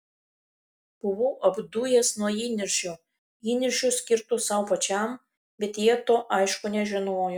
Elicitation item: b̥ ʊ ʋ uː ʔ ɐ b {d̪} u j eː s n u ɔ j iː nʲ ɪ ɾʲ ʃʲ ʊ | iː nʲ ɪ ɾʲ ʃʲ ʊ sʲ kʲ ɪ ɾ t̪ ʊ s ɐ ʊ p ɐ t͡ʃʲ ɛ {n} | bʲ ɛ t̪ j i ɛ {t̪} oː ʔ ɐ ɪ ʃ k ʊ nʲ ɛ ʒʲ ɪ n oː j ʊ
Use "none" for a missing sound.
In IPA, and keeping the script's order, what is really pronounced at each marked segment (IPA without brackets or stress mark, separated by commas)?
d̪, m, t̪